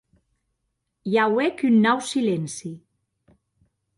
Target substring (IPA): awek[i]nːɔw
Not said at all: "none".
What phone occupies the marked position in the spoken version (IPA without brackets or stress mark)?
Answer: y